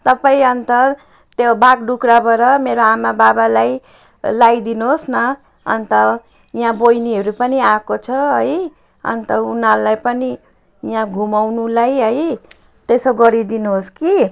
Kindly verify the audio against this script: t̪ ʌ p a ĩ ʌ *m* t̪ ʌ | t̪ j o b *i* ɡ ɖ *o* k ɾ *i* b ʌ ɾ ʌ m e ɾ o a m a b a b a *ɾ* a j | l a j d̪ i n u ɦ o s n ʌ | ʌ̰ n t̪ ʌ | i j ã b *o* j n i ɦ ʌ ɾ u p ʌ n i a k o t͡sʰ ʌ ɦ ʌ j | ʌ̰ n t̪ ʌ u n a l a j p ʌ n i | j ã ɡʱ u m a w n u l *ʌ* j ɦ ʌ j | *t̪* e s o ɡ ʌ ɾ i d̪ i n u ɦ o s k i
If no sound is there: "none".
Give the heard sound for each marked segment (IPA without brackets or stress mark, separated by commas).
n, a, u, a, l, o, a, t̪